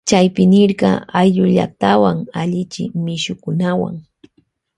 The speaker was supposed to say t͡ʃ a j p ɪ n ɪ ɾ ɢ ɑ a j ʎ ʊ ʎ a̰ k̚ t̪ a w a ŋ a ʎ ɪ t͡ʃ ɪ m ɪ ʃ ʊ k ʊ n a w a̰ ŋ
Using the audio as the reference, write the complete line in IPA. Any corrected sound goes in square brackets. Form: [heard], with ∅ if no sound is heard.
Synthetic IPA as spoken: t͡ʃ a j p ɪ n ɪ ɾ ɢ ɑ a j ʎ ʊ ʎ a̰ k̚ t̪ a w a ŋ a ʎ ɪ t͡ʃ ɪ m ɪ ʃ ʊ k ʊ n a w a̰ ŋ